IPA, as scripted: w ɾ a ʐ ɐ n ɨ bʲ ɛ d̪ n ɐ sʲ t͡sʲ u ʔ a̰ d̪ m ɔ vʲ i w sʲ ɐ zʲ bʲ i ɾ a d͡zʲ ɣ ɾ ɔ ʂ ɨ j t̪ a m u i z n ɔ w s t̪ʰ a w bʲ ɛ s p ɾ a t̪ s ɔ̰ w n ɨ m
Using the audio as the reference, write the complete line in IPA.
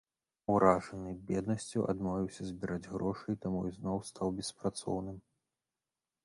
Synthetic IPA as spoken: w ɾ a ʐ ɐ n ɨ bʲ ɛ d̪ n ɐ sʲ t͡sʲ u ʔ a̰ d̪ m ɔ vʲ i w sʲ ɐ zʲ bʲ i ɾ a d͡zʲ ɣ ɾ ɔ ʂ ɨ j t̪ a m u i z n ɔ w s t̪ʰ a w bʲ ɛ s p ɾ a t̪ s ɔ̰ w n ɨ m